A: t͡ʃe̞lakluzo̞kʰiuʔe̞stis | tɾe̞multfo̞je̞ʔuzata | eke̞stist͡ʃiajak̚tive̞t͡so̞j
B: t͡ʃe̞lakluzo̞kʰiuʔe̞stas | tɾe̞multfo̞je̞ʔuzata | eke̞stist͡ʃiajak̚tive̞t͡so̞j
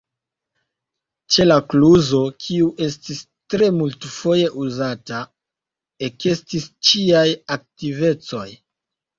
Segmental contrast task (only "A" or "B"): A